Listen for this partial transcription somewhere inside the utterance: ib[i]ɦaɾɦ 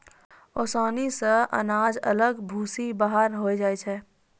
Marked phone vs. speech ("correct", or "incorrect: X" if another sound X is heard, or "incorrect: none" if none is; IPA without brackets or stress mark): incorrect: a